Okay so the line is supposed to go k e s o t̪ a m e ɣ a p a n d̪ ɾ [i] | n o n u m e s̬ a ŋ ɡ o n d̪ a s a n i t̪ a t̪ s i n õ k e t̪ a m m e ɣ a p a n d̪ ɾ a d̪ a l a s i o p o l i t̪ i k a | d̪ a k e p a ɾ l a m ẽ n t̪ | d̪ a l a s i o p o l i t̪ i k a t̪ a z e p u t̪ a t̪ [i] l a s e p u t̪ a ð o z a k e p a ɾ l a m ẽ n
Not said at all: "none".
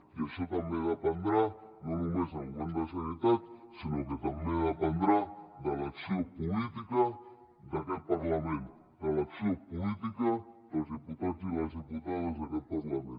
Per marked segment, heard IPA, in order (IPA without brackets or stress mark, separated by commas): a, i